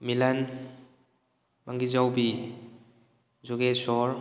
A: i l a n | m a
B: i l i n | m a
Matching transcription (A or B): A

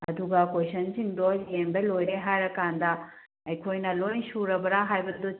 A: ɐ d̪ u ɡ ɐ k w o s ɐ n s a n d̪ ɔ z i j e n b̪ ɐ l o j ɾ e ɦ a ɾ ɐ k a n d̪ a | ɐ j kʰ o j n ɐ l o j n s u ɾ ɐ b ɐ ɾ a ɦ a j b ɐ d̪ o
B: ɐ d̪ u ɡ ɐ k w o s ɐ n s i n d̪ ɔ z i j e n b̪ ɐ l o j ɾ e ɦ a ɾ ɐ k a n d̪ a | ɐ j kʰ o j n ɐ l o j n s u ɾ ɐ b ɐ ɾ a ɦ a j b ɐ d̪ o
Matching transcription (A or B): B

